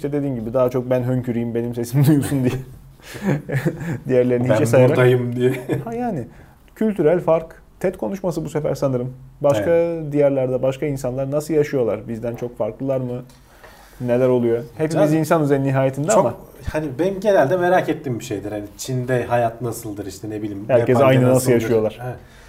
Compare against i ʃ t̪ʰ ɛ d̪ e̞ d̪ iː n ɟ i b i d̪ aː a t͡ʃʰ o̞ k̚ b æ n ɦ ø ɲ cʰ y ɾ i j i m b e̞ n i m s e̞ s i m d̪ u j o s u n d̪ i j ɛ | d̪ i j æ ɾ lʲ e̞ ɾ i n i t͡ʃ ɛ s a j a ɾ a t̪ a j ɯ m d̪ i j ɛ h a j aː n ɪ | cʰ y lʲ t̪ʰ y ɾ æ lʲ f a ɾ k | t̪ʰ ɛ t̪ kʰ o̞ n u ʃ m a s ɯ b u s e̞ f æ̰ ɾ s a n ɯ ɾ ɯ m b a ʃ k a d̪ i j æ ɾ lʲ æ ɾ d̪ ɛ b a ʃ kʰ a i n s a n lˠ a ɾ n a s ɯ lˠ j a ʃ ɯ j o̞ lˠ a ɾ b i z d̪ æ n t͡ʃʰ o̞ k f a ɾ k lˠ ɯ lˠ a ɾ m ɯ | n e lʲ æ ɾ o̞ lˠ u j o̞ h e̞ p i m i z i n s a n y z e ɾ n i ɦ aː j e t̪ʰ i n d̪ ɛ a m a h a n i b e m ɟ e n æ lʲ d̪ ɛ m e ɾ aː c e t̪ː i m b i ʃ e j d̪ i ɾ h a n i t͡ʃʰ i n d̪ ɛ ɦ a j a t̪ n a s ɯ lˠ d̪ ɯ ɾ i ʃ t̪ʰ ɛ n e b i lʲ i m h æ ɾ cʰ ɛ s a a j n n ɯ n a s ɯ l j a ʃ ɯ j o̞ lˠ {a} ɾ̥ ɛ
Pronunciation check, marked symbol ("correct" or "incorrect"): correct